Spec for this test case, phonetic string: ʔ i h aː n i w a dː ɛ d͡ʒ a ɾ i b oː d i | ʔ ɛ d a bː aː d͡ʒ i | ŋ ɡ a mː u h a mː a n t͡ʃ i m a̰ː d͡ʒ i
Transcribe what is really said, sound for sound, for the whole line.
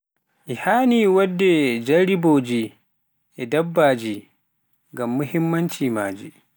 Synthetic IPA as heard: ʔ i h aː n i w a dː ɛ d͡ʒ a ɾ i b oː d͡ʒ i | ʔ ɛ d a bː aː d͡ʒ i | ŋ ɡ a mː u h i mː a n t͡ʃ i m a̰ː d͡ʒ i